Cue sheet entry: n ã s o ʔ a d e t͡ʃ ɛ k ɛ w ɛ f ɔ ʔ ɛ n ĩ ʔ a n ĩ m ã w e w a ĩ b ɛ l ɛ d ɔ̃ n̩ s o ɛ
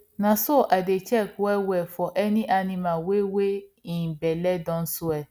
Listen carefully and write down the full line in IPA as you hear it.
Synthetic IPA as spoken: n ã s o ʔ a d e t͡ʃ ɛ k ɛ w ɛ f ɔ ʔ ɛ n ĩ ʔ a n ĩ m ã w e w e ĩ b ɛ l ɛ d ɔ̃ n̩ s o ɛ